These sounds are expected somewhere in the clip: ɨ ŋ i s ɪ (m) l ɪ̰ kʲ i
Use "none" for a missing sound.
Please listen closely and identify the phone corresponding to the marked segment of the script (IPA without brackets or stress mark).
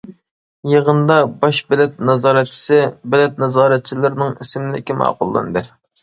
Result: m